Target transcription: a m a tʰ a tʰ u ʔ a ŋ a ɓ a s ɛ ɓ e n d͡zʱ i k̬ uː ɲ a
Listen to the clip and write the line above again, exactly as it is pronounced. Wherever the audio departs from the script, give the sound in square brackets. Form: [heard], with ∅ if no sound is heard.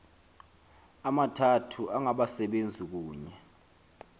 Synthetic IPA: a m a tʰ a tʰ u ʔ a ŋ a ɓ a s ɛ ɓ e n d͡zʱ i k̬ uː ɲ [ɛ]